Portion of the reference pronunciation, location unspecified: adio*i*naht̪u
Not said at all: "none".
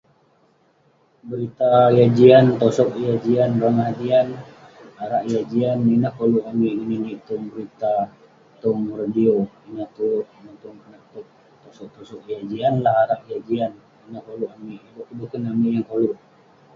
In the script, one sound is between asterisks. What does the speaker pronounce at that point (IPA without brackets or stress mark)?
i